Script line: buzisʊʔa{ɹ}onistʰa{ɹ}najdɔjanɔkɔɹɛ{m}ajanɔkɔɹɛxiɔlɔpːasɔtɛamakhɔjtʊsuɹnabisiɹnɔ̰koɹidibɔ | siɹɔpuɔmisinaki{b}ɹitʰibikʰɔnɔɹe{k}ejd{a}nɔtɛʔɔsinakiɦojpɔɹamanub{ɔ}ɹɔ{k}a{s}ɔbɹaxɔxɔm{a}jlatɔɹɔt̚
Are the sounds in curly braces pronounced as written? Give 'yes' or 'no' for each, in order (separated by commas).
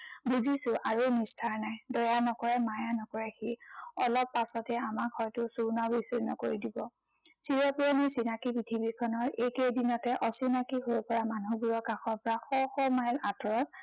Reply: yes, yes, yes, no, yes, no, no, yes, no, yes